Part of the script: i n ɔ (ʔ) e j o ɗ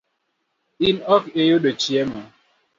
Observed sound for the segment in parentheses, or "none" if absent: k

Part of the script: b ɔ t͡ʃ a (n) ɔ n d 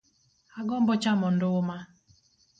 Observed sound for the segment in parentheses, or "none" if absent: m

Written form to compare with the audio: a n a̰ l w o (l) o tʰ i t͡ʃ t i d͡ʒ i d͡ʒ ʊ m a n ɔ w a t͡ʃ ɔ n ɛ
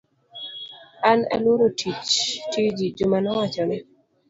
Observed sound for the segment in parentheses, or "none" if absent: ɾ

